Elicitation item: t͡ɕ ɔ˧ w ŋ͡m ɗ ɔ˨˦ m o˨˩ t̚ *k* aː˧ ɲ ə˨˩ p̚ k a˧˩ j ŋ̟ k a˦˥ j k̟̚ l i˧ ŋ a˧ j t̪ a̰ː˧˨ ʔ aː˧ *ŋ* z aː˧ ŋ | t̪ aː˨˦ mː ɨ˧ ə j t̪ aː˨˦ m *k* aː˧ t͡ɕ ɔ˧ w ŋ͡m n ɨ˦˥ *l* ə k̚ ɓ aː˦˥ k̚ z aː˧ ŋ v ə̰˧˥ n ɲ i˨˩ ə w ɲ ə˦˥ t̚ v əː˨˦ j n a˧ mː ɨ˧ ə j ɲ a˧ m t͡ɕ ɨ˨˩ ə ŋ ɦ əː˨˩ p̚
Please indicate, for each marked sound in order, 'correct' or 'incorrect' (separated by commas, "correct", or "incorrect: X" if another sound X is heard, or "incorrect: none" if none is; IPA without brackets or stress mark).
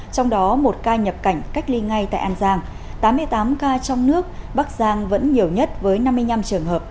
correct, incorrect: n, correct, incorrect: none